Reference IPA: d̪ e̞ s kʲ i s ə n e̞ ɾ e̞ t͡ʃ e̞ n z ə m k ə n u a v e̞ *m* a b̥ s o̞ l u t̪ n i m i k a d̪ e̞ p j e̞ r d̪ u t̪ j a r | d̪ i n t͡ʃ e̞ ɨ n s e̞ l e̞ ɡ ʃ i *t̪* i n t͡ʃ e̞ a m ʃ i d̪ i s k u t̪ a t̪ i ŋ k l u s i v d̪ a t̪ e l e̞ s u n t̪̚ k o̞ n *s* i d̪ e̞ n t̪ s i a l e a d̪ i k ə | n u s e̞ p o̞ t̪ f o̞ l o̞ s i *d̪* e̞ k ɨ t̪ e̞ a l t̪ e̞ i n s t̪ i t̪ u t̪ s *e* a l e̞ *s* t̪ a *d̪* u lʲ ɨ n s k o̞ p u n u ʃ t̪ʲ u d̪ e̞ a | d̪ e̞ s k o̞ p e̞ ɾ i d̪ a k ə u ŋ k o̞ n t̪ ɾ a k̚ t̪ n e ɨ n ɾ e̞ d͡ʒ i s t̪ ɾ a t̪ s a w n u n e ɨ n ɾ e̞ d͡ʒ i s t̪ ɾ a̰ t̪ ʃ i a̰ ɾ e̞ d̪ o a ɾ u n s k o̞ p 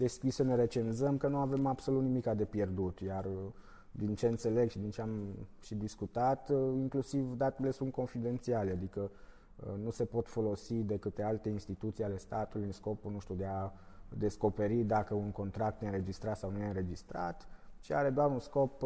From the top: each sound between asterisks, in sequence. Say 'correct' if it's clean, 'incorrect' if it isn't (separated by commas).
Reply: correct, incorrect, incorrect, correct, incorrect, correct, incorrect